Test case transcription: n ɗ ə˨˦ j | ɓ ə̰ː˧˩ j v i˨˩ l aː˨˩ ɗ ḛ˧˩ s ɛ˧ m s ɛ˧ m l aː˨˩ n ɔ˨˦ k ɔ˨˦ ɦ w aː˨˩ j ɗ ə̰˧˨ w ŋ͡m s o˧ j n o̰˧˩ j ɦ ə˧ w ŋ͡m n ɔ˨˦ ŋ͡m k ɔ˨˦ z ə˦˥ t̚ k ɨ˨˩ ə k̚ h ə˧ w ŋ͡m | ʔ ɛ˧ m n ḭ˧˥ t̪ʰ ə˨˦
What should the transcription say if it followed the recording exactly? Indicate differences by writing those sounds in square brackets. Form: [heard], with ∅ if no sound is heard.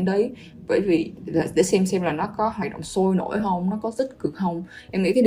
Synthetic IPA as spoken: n ɗ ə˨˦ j | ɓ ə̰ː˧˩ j v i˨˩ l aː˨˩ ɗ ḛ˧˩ s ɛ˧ m s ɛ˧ m l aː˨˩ n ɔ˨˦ k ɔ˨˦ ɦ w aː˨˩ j ɗ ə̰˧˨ w ŋ͡m s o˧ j n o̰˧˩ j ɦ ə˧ w ŋ͡m n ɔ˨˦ [∅] k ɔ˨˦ z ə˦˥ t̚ k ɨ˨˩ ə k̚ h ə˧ w ŋ͡m | ʔ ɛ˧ m [ŋ] ḭ˧˥ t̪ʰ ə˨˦